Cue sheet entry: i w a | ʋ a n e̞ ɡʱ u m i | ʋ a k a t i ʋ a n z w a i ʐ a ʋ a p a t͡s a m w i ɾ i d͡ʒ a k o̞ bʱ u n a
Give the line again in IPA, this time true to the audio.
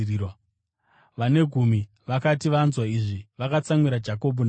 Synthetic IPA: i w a | ʋ a n e̞ ɡʱ u m i | ʋ a k a t i ʋ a n z w a i ʐ i ʋ a k a t͡s a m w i ɾ a d͡ʒ a k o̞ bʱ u n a